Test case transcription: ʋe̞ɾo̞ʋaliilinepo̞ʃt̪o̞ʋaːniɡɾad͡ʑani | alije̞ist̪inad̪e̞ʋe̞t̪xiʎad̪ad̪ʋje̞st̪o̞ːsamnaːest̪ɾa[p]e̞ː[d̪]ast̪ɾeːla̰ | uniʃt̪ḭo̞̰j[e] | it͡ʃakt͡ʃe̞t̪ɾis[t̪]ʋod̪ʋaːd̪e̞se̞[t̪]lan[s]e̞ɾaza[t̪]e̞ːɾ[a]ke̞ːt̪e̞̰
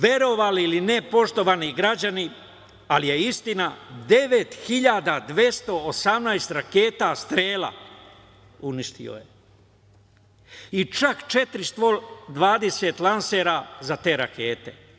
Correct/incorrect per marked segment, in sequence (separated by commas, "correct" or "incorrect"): incorrect, incorrect, correct, correct, correct, correct, correct, correct